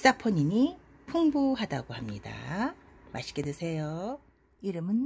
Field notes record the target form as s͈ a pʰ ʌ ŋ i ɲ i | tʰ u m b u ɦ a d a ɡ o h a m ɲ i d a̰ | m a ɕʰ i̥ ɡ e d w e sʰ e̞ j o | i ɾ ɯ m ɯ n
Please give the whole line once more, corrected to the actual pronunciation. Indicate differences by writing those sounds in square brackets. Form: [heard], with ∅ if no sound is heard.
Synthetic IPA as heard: s͈ a pʰ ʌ [ɲ] i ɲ i | [pʰ] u [ŋ] b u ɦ a d a ɡ o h a m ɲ i d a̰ | m a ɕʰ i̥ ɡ e d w e sʰ e̞ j o | i ɾ ɯ m ɯ n